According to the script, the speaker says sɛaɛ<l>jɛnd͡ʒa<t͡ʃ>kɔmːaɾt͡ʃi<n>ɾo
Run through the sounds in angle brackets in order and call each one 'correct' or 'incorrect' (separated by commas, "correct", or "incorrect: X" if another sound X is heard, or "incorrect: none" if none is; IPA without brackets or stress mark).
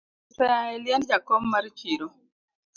correct, incorrect: none, incorrect: none